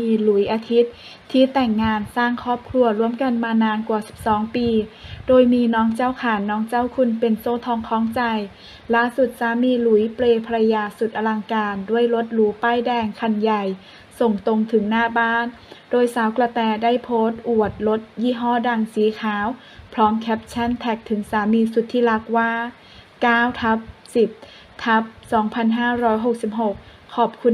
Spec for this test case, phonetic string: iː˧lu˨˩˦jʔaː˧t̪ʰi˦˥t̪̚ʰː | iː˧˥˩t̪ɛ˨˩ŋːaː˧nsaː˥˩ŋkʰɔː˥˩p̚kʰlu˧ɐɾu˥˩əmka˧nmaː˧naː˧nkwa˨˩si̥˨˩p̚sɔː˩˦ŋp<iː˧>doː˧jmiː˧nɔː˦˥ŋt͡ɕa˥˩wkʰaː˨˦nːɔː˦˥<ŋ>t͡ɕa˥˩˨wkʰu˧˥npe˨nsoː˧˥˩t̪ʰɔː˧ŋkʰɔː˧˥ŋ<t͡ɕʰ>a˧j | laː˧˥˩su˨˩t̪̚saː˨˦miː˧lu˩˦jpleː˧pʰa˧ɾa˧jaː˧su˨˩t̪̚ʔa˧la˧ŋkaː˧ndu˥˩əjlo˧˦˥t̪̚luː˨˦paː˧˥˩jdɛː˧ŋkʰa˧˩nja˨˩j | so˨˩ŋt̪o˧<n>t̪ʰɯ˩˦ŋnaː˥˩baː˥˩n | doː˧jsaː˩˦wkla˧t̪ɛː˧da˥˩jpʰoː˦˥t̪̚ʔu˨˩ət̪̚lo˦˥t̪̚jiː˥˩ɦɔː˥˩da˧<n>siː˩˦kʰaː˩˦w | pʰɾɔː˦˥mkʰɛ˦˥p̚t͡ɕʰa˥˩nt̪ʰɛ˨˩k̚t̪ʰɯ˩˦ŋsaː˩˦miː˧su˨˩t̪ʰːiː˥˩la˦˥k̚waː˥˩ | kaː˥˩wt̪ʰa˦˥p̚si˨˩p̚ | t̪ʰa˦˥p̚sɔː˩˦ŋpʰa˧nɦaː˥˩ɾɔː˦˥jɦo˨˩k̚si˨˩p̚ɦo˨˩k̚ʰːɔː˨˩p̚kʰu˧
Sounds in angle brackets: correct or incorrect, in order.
correct, correct, incorrect: t͡ɕ, incorrect: ŋ, incorrect: ŋ

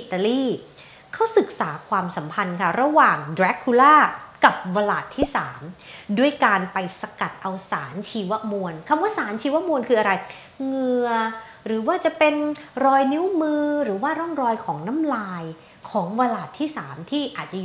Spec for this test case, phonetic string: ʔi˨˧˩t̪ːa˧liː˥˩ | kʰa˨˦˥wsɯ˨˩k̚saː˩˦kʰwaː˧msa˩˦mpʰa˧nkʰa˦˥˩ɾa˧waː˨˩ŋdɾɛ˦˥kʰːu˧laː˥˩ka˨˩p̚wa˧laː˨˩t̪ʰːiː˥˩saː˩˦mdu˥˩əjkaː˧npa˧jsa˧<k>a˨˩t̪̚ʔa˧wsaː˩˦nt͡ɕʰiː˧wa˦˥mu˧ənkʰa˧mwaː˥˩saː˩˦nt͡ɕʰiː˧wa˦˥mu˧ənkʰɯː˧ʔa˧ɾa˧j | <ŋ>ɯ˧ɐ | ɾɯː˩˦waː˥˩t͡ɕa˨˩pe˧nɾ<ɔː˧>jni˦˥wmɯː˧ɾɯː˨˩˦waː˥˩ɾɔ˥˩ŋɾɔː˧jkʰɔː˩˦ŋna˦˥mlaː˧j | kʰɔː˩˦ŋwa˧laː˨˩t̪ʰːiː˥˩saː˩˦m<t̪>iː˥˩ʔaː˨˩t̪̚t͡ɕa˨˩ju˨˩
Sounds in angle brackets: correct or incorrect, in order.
correct, correct, correct, incorrect: t̪ʰ

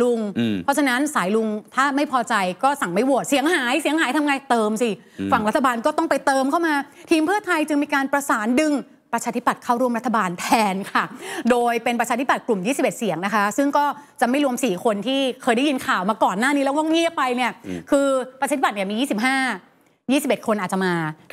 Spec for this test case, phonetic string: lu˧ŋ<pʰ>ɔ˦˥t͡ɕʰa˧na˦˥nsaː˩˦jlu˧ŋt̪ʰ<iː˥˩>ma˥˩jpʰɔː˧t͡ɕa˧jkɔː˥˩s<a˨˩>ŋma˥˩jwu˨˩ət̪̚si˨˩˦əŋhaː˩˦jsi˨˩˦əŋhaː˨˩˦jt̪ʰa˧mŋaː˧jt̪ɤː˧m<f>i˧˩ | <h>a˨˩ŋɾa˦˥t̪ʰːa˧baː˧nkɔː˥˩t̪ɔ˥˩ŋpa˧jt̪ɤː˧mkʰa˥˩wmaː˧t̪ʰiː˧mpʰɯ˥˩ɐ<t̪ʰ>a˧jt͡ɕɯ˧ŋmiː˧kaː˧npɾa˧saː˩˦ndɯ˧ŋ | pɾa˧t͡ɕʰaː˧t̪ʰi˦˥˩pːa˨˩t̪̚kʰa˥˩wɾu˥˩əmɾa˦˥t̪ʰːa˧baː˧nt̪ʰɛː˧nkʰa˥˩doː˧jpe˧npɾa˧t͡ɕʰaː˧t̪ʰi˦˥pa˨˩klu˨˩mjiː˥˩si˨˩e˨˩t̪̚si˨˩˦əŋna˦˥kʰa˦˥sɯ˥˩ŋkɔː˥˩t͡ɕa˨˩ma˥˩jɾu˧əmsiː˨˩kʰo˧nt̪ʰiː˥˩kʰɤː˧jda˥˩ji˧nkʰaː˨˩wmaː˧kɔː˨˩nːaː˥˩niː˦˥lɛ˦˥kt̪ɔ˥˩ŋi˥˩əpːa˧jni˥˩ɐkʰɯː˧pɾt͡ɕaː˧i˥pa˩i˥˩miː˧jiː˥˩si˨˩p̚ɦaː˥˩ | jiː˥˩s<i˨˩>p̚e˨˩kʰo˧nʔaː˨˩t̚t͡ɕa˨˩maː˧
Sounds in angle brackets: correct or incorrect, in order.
correct, incorrect: aː˥˩, correct, incorrect: s, incorrect: f, correct, correct

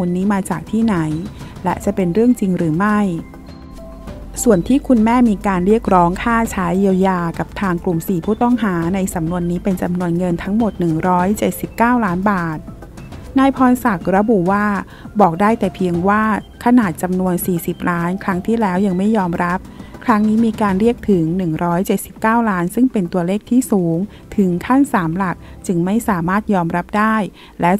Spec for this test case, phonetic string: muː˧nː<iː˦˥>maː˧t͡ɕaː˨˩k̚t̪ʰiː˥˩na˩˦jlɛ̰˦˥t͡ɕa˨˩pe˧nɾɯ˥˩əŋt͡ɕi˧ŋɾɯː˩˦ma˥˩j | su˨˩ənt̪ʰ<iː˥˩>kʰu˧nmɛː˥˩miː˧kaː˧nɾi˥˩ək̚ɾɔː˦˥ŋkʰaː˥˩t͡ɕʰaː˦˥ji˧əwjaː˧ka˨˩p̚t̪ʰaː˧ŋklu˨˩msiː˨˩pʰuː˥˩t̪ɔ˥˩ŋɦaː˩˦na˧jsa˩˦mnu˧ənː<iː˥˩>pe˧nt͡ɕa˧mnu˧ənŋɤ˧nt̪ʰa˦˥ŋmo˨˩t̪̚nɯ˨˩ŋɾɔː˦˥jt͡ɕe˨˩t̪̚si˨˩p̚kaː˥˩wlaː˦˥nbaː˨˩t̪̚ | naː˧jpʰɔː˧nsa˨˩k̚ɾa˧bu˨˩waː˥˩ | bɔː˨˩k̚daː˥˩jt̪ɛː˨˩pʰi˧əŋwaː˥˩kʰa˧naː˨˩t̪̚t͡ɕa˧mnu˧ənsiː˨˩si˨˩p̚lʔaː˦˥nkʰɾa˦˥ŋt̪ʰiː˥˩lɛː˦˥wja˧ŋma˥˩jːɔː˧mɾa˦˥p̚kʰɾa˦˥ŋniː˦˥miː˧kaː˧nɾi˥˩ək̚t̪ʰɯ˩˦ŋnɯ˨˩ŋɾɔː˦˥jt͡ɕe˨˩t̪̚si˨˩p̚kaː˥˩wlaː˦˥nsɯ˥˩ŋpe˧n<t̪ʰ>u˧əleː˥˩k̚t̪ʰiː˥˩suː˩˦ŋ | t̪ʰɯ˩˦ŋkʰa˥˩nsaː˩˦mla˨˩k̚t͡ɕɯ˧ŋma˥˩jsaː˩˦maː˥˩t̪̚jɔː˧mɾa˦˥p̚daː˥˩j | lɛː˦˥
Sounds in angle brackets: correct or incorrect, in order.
correct, correct, incorrect: iː˦˥, incorrect: t̪

